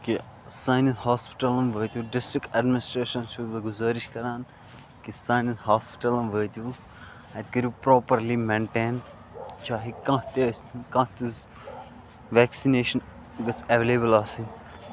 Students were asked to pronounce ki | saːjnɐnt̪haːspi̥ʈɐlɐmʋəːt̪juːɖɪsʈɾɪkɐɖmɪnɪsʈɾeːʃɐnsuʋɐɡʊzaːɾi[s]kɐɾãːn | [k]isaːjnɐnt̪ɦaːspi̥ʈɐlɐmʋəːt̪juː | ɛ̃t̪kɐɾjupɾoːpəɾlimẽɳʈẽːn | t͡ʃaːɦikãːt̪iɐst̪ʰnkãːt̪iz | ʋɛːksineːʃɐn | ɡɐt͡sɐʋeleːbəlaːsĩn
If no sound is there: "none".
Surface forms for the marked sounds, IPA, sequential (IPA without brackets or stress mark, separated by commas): ʃ, k